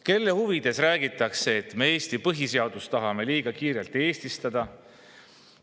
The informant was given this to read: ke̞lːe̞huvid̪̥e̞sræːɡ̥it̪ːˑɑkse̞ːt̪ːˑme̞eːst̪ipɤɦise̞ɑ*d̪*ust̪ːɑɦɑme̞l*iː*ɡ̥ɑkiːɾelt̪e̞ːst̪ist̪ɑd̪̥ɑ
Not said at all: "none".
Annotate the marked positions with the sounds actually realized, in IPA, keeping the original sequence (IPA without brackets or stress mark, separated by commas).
d̪, iː